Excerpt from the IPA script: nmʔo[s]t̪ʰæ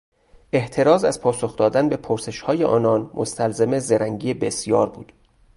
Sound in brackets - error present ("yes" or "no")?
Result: no